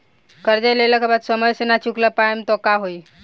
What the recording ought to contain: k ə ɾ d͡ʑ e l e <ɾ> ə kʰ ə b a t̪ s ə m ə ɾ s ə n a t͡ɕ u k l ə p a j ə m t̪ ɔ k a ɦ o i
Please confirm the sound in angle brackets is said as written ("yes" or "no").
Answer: no